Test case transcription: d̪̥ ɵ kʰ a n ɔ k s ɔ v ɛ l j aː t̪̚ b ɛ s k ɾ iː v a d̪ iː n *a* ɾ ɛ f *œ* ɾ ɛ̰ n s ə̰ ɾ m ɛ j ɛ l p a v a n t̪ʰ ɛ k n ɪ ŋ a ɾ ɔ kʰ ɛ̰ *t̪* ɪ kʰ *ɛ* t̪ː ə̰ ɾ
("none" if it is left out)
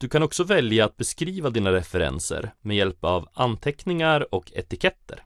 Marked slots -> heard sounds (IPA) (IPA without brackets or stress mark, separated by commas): a, ɛ, t̪, ɛ